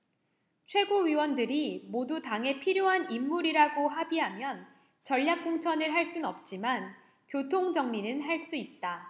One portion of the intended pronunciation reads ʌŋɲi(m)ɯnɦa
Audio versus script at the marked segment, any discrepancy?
yes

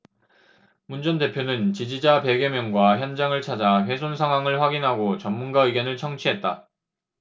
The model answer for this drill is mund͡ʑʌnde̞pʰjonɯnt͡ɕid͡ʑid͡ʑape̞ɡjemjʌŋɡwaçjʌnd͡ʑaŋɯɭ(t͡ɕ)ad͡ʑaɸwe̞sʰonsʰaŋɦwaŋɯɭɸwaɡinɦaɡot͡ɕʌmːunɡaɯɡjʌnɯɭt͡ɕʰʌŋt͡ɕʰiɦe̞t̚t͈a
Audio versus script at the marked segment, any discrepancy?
yes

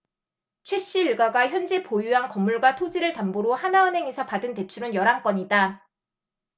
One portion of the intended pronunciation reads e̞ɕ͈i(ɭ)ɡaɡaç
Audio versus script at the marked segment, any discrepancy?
no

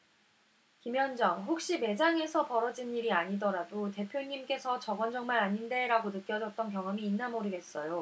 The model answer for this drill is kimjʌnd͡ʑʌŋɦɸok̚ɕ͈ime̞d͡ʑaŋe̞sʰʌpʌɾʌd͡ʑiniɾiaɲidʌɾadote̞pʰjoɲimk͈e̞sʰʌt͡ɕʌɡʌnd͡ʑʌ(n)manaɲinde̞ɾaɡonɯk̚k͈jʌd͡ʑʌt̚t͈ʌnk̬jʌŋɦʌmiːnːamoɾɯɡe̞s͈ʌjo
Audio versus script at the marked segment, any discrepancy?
yes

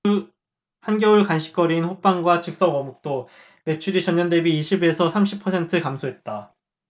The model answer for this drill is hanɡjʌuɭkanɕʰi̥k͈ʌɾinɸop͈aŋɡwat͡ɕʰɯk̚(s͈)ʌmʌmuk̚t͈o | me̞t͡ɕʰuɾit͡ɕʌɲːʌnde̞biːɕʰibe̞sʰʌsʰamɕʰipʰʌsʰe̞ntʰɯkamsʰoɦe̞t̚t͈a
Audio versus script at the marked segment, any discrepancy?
no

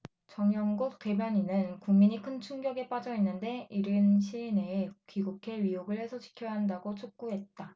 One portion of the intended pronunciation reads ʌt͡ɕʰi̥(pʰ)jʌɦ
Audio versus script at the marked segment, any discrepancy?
yes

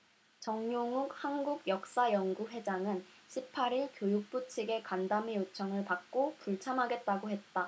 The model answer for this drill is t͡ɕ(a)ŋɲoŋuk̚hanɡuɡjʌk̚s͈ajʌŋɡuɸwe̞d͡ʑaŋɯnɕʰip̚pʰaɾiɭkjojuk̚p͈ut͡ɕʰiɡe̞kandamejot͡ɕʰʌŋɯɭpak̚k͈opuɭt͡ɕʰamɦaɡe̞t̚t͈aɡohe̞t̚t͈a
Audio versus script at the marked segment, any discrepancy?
yes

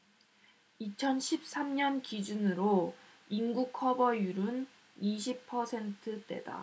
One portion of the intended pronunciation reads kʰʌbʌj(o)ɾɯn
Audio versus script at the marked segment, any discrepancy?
yes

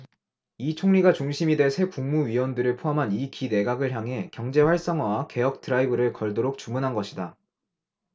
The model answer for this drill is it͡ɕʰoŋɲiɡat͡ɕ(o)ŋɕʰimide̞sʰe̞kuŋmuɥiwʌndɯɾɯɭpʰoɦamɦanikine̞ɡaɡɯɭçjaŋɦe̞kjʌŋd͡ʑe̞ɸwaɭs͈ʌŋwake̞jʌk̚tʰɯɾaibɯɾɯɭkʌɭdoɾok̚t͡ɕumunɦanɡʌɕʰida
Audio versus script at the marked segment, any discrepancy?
yes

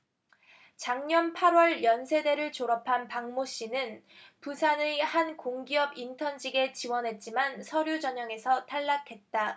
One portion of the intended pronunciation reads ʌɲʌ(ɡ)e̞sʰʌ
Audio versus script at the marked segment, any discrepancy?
yes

